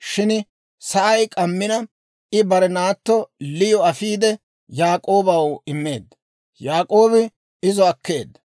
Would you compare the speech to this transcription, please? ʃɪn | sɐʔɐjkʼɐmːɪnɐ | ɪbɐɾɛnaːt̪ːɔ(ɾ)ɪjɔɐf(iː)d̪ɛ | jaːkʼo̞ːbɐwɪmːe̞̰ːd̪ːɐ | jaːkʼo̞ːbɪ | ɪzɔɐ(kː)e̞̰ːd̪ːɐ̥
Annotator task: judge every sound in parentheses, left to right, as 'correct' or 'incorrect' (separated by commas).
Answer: incorrect, correct, correct